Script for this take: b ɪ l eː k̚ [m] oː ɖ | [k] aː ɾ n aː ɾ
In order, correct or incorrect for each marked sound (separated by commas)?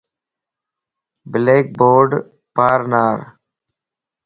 incorrect, incorrect